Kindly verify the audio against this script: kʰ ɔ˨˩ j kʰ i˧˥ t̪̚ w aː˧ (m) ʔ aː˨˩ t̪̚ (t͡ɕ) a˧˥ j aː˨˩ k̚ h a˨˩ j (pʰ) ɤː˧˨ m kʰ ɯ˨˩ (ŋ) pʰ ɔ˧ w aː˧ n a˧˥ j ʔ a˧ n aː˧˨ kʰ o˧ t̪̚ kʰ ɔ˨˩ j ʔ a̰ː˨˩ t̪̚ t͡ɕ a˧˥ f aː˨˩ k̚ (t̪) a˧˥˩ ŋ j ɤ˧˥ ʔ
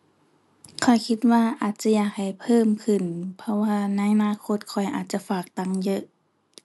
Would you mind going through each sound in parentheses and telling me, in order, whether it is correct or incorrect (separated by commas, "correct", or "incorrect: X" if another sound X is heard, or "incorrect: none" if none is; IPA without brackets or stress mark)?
incorrect: none, correct, correct, incorrect: n, correct